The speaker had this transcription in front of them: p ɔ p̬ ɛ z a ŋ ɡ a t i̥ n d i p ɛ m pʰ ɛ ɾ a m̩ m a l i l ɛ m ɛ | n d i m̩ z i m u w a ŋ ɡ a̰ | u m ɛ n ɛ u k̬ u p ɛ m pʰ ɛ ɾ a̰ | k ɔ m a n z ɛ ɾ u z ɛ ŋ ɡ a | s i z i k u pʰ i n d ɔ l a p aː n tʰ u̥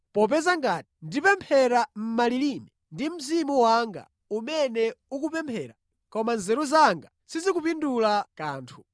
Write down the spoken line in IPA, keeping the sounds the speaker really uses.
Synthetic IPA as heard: p ɔ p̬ ɛ z a ŋ ɡ a t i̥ n d i p ɛ m pʰ ɛ ɾ a m̩ m a l i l i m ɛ | n d i m̩ z i m u w a ŋ ɡ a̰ | u m ɛ n ɛ u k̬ u p ɛ m pʰ ɛ ɾ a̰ | k ɔ m a n z ɛ ɾ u z a ŋ ɡ a | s i z i k u p i n d u l a k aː n tʰ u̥